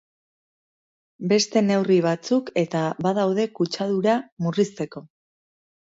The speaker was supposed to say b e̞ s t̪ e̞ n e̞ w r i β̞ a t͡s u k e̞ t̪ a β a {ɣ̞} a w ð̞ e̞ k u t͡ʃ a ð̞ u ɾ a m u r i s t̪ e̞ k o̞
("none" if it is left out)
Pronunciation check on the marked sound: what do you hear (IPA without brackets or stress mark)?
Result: ð̞